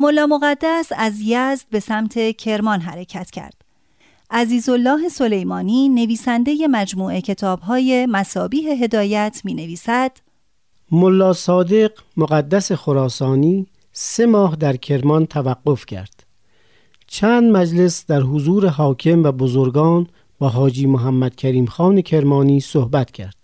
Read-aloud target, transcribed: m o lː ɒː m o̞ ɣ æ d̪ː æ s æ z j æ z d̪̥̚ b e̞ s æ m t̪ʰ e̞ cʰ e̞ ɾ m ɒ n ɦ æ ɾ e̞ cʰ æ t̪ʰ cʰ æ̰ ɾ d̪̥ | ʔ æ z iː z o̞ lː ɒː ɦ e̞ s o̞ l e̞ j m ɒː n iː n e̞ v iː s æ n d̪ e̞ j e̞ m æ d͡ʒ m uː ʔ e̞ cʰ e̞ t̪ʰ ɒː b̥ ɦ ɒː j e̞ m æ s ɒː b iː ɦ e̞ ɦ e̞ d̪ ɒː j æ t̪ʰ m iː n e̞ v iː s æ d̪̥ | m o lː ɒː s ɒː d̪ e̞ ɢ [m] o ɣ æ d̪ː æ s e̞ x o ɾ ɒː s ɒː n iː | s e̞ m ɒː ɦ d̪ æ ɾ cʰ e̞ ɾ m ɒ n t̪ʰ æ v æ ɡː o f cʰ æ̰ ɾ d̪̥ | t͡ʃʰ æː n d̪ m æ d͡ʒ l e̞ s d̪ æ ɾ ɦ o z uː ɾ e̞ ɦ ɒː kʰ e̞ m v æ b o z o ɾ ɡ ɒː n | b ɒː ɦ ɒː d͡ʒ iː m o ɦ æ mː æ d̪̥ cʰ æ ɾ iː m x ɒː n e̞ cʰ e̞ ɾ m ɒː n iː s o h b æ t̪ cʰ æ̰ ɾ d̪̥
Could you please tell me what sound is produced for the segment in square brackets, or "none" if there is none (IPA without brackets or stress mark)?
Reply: m